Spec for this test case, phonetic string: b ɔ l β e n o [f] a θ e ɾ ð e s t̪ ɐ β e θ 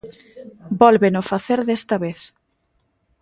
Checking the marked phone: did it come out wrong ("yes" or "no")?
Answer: no